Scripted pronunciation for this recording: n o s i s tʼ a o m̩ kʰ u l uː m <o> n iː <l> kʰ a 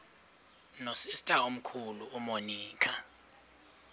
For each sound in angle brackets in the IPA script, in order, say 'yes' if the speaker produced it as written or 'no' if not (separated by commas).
yes, no